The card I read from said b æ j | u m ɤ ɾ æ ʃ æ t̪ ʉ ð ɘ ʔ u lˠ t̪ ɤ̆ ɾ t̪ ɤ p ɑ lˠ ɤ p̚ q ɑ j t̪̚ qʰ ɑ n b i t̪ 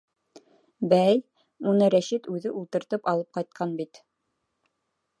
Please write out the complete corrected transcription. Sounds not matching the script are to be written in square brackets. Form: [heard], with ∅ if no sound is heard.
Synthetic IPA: b æ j | u [n] ɤ ɾ æ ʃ [i] t̪ ʉ ð ɘ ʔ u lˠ t̪ ɤ̆ ɾ t̪ ɤ p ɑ lˠ ɤ p̚ q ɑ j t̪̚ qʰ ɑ n b i t̪